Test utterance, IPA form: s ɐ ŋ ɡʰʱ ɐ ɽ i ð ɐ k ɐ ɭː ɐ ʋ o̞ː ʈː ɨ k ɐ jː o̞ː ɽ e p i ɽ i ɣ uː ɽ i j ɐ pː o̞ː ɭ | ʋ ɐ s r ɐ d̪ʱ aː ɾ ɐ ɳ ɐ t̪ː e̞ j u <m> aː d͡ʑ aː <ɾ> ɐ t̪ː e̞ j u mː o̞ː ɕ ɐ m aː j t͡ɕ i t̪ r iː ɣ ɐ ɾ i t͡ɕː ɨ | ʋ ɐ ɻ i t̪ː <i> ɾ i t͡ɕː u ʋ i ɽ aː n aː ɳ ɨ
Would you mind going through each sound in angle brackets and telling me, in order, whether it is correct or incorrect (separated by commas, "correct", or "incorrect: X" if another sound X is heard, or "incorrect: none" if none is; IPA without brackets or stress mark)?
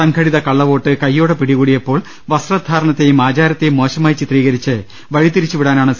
correct, correct, correct